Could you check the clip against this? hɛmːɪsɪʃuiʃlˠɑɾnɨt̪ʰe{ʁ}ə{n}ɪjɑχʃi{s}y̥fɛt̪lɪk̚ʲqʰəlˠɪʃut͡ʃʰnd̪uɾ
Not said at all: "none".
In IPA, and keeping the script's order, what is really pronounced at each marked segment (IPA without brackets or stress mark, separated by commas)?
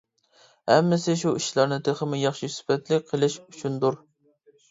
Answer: χ, m, s